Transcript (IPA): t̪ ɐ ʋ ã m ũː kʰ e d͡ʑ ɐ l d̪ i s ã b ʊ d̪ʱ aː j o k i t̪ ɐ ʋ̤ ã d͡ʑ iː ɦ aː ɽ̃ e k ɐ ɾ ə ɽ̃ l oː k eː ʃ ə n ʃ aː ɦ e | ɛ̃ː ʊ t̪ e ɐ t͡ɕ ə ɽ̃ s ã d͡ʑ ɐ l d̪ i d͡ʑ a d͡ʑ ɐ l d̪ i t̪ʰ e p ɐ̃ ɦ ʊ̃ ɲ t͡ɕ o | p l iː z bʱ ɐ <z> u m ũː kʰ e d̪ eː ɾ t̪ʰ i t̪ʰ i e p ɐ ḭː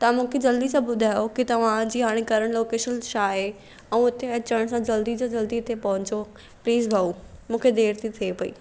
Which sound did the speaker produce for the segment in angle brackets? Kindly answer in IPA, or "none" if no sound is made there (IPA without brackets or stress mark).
none